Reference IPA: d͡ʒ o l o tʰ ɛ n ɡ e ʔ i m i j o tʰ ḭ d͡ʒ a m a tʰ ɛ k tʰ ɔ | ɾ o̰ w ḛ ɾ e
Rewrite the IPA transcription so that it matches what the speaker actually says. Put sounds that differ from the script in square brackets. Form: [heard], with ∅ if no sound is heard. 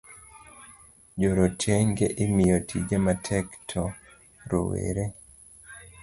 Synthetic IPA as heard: d͡ʒ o [ɾ] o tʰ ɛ [ŋ] ɡ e ʔ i m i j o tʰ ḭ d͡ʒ a m a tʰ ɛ k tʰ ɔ | ɾ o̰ w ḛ ɾ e

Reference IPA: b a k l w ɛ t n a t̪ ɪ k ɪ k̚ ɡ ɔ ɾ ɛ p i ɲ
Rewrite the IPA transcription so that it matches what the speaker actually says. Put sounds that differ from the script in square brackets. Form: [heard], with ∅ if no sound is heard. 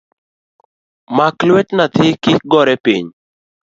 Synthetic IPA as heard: [m] a k l w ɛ t n a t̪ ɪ k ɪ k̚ ɡ ɔ ɾ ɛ p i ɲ

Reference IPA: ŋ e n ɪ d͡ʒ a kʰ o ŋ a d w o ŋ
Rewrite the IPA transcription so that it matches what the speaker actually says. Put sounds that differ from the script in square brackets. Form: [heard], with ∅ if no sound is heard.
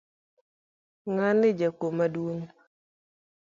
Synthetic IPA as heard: ŋ [a] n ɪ d͡ʒ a [k] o [m] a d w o ŋ

